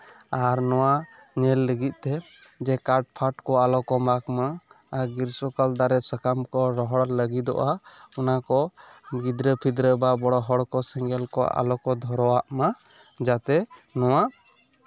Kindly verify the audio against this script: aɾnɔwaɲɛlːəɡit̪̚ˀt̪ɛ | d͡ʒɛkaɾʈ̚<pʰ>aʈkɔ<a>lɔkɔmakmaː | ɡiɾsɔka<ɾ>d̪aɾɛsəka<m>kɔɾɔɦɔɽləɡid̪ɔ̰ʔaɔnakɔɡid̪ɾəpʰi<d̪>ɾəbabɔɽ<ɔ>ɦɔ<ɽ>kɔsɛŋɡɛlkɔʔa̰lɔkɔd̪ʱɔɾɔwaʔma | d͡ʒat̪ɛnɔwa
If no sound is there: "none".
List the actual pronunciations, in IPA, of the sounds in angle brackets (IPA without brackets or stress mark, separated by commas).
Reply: pʰ, a, l, m, d̪, ɔ, ɽ